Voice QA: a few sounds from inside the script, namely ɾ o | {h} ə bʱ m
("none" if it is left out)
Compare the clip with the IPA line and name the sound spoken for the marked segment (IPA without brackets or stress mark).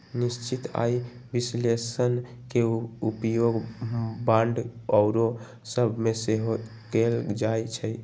s